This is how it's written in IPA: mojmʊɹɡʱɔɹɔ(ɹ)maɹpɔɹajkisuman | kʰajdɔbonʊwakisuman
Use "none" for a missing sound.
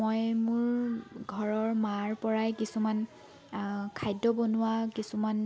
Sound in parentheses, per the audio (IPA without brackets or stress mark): ɹ